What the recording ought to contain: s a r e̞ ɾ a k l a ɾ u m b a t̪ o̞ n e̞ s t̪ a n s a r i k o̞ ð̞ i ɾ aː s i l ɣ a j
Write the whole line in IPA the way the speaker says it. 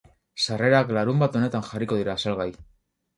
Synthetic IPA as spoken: s a r e̞ ɾ a k l a ɾ u m b a t̪ o̞ n e̞ t̪ a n x a r i k o̞ ð̞ i ɾ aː s a l ɣ a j

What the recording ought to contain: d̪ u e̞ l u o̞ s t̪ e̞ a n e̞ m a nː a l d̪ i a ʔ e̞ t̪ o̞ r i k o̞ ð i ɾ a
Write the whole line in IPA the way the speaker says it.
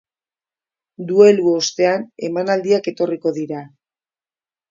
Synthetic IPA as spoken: d̪ u e̞ l u o̞ s t̪ e̞ a n e̞ m a n a l d̪ i a k e̞ t̪ o̞ r i k o̞ ð i ɾ a

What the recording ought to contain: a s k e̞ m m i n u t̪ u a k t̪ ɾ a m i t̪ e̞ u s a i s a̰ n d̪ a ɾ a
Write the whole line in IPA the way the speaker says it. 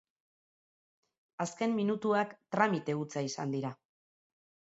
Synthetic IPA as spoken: a s k e̞ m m i n u t̪ u a k t̪ ɾ a m i t̪ e̞ u t͡s a i s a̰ n d̪ i ɾ a

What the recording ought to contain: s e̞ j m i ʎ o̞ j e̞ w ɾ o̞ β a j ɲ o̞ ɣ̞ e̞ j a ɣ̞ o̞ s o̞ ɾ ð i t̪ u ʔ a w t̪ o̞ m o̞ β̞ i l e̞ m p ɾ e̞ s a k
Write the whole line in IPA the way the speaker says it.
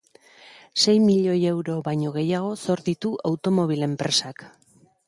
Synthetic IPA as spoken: s e̞ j m i ʎ o̞ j e̞ w ɾ o̞ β a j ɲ o̞ ɣ̞ e̞ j a ɣ̞ o̞ s o̞ ɾ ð i t̪ u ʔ a w t̪ o̞ m o̞ β̞ i l e̞ m p ɾ e̞ s a k

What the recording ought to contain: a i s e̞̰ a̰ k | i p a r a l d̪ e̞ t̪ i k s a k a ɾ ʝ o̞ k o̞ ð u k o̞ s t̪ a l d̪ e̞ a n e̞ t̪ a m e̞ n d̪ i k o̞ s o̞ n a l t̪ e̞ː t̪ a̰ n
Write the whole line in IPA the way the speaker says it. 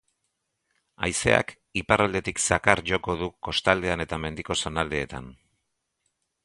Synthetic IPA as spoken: a j s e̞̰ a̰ k | i p a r a l d̪ e̞ t̪ i k s a k a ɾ ʝ o̞ k o̞ ð u k o̞ s t̪ a l d̪ e̞ a n e̞ t̪ a m e̞ n d̪ i k o̞ s o̞ n a l d̪ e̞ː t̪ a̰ n

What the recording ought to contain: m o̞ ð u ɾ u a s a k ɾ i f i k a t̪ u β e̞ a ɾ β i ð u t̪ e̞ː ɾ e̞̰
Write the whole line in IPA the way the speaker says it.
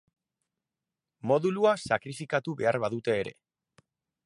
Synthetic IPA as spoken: m o̞ ð u l u a s a k ɾ i f i k a t̪ u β e̞ a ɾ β a ð u t̪ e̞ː ɾ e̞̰

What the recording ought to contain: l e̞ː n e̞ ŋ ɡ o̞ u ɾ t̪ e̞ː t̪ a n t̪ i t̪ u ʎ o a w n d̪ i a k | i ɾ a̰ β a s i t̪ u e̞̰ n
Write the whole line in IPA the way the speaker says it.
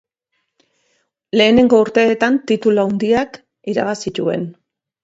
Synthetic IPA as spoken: l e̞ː n e̞ ŋ ɡ o̞ u ɾ t̪ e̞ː t̪ a n t̪ i t̪ u l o a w n d̪ i a k | i ɾ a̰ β a s i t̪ u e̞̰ n

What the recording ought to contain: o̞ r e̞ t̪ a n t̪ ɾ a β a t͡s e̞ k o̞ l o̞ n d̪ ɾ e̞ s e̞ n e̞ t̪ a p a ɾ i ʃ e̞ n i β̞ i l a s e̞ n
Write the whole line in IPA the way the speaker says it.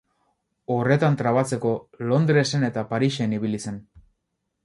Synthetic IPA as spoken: o̞ r e̞ t̪ a n t̪ ɾ a β a t͡s e̞ k o̞ l o̞ n d̪ ɾ e̞ s e̞ n e̞ t̪ a p a ɾ i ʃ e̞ n i β̞ i l i s e̞ n

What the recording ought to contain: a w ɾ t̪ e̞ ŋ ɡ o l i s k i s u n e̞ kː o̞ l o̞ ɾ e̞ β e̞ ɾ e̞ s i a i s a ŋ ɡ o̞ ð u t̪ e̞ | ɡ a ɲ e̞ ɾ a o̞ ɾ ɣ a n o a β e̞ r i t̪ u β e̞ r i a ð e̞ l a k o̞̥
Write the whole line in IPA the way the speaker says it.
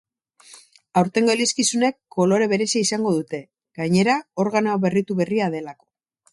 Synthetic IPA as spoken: a w ɾ t̪ e̞ ŋ ɡ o l i s k i s u n e̞ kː o̞ l o̞ ɾ e̞ β e̞ ɾ e̞ s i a i s a ŋ ɡ o̞ ð u t̪ e̞ | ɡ a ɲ e̞ ɾ a o̞ ɾ ɣ a n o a β e̞ r i t̪ u β e̞ r i a ð e̞ l a k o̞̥

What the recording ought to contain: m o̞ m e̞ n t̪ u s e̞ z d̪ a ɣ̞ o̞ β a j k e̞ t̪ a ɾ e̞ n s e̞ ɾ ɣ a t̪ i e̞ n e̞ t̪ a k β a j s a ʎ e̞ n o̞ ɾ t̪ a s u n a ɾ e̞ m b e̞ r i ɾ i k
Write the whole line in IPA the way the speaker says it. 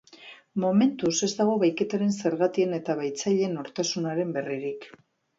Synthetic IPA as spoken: m o̞ m e̞ n t̪ u s e̞ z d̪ a ɣ̞ o̞ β a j k e̞ t̪ a ɾ e̞ n s e̞ ɾ ɣ a t̪ i e̞ n e̞ t̪ a β a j t͡s a ʎ e̞ n o̞ ɾ t̪ a s u n a ɾ e̞ m b e̞ r i ɾ i k

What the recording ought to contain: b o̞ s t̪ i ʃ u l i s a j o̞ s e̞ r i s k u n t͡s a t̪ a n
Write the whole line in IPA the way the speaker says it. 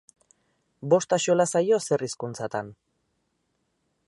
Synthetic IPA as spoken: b o̞ s t̪ a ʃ o l a s a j o̞ s e̞ r i s k u n t͡s a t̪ a n

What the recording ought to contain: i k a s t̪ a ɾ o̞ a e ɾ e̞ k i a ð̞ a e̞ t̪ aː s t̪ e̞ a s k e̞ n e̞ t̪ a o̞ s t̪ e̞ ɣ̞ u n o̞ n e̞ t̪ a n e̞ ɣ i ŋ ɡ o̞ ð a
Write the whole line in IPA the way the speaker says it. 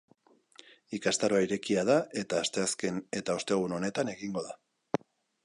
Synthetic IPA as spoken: i k a s t̪ a ɾ o̞ a i ɾ e̞ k i a ð̞ a e̞ t̪ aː s t̪ e̞ a s k e̞ n e̞ t̪ a o̞ s t̪ e̞ ɣ̞ u n o̞ n e̞ t̪ a n e̞ ɣ i ŋ ɡ o̞ ð a

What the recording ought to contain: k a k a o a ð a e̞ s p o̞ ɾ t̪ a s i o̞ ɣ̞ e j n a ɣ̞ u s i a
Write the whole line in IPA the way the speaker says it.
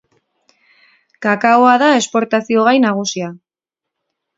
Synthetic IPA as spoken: k a k a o a ð a e̞ s p o̞ ɾ t̪ a s i o̞ ɣ̞ a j n a ɣ̞ u s i a

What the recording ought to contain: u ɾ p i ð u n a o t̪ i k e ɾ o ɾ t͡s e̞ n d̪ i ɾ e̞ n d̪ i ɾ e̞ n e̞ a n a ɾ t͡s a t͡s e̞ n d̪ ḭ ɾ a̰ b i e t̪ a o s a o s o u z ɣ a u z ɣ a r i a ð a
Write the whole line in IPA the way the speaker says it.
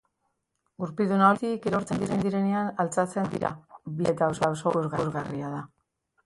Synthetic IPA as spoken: u ɾ p i ð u n a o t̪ i k e ɾ o ɾ t͡s e̞ n d̪ i ɾ e̞ n d̪ i ɾ e̞ n e̞ a n a l t͡s a t͡s e̞ n d̪ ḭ ɾ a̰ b i e t̪ a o s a o s o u z ɣ a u z ɣ a r i a ð a

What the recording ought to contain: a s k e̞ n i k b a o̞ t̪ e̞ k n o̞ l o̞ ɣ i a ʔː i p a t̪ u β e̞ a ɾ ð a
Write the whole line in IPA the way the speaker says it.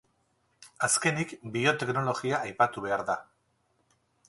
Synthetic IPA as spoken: a s k e̞ n i k b i o̞ t̪ e̞ k n o̞ l o̞ ɣ i a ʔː j p a t̪ u β e̞ a ɾ ð a

